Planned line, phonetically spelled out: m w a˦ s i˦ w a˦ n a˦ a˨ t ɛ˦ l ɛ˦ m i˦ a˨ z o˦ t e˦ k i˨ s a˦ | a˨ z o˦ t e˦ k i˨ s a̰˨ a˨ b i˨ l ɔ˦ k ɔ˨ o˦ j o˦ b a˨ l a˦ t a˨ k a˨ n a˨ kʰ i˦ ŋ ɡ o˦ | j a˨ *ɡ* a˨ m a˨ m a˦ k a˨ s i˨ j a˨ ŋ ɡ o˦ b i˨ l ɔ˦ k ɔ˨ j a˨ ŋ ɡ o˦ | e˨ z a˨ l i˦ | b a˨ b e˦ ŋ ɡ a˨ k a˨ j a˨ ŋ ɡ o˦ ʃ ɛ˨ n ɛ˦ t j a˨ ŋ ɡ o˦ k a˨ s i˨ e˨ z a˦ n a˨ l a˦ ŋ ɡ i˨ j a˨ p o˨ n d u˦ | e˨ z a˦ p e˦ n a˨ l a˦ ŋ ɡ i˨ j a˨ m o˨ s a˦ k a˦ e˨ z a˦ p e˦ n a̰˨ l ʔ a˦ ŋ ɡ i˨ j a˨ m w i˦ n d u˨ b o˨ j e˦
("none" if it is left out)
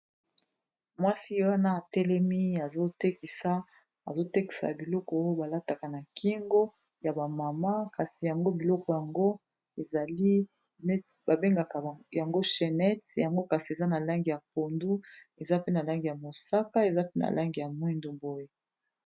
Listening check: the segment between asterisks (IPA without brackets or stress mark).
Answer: b